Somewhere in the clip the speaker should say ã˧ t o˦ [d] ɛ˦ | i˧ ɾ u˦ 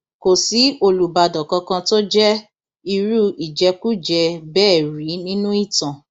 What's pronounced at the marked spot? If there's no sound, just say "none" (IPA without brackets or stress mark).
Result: d͡ʒ